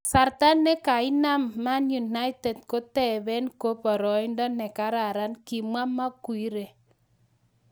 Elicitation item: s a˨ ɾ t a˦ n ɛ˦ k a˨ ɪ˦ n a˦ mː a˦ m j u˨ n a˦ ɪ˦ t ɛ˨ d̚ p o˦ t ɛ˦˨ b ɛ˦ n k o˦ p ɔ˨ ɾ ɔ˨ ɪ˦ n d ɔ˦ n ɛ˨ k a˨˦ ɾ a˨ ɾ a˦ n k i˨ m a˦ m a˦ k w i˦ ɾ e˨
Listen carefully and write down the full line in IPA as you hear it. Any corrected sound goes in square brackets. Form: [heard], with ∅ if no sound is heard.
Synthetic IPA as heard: s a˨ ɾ t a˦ n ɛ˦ k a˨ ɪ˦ n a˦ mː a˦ [n] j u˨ n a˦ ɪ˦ t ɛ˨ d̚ [k] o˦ t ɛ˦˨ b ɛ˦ n k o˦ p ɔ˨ ɾ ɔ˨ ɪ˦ n d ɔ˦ n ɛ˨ k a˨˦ ɾ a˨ ɾ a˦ n k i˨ m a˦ m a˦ k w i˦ ɾ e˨